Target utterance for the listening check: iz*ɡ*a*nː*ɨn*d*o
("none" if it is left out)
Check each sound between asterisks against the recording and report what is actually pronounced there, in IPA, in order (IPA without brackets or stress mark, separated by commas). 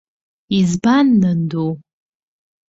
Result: b, nː, d